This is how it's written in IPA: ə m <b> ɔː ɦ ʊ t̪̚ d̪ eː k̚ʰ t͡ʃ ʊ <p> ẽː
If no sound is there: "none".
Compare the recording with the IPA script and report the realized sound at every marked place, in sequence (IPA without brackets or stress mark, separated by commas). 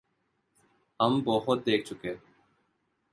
b, k